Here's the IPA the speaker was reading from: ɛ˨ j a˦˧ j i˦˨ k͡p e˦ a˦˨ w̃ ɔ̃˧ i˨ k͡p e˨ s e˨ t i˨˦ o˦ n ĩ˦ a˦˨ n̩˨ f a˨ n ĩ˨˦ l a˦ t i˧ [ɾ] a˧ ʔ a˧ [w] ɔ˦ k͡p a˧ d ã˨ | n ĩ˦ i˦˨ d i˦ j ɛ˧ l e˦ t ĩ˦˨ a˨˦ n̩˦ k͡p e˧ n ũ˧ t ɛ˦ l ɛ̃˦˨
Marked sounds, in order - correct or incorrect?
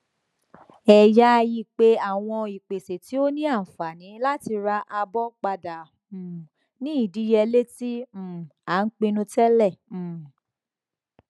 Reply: correct, incorrect: b

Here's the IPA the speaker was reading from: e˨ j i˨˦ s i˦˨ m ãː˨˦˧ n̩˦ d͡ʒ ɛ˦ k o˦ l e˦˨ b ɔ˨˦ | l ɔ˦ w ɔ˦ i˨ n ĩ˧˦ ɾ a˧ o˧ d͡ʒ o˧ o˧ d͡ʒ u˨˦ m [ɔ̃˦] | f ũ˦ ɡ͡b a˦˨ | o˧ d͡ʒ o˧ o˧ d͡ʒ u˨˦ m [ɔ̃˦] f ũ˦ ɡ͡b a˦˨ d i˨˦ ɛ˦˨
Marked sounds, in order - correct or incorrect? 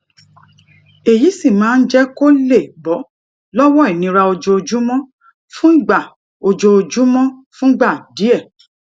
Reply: correct, correct

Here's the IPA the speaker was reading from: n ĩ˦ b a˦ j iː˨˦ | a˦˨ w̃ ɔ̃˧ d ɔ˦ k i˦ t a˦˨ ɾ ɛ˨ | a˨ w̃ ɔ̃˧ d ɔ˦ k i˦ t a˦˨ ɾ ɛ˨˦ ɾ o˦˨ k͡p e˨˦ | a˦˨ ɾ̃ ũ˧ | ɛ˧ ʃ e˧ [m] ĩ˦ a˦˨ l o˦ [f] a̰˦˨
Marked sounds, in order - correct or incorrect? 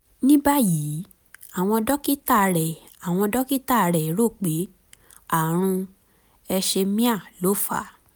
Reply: correct, correct

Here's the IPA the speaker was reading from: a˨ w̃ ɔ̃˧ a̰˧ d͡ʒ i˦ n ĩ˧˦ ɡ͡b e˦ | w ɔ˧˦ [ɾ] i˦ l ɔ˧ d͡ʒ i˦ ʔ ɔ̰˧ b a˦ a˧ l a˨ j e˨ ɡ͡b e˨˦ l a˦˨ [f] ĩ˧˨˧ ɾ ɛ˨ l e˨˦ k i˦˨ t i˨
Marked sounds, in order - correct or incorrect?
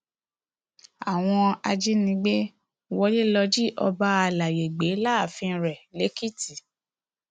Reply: incorrect: l, correct

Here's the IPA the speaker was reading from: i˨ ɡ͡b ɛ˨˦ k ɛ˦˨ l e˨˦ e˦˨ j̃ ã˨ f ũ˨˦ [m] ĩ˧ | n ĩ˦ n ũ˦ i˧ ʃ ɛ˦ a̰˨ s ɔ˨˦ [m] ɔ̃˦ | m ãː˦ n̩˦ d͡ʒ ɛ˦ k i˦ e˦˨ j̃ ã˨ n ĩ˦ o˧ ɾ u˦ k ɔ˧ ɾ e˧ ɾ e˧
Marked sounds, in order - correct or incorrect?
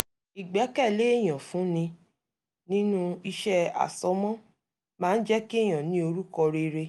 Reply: incorrect: n, correct

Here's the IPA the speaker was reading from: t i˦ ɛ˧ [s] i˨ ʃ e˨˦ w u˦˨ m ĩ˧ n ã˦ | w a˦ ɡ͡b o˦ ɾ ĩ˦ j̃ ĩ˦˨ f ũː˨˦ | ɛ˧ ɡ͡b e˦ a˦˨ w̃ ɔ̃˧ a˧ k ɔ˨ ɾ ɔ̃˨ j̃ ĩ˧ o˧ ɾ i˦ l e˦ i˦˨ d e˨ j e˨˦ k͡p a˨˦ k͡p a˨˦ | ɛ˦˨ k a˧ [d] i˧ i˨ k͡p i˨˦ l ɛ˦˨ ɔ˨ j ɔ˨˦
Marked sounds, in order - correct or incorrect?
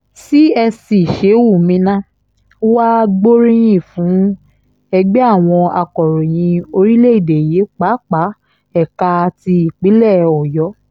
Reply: correct, incorrect: t

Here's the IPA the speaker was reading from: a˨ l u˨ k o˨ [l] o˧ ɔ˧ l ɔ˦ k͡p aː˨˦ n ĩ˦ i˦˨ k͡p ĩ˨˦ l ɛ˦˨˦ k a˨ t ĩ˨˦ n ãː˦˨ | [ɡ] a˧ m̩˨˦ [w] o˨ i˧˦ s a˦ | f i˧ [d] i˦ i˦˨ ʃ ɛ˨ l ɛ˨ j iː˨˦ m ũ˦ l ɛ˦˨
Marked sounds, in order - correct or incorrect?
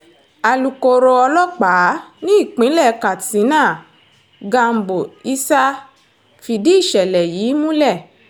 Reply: incorrect: ɾ, correct, incorrect: b, correct

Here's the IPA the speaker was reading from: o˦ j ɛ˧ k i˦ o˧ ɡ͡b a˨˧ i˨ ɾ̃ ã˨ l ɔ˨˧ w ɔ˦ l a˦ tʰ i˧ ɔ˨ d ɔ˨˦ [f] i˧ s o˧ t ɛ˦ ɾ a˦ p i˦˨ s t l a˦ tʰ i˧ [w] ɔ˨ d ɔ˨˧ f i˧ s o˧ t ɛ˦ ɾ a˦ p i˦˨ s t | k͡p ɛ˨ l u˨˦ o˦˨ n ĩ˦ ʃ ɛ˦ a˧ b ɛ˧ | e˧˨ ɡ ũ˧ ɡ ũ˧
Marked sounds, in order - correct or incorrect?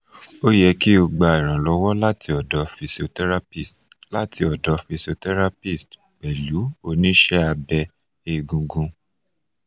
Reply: correct, incorrect: none

